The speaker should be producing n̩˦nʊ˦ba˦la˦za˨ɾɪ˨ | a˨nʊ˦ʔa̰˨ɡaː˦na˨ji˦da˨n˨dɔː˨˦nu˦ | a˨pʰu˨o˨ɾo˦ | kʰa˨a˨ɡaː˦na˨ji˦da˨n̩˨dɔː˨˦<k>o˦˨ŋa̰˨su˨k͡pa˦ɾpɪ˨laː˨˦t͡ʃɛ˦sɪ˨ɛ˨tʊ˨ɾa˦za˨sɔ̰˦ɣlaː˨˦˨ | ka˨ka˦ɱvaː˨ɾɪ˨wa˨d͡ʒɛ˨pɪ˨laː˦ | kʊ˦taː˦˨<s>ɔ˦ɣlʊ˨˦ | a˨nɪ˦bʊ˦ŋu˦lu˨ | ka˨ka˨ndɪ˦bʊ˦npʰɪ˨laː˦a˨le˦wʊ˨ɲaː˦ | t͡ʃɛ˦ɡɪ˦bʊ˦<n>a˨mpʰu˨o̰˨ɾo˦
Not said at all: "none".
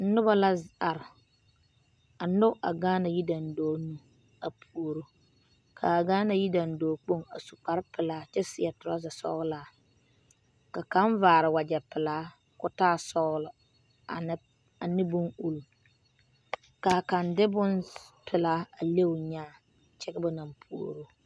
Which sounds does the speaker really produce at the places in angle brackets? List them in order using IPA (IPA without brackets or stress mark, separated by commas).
k͡p, s, n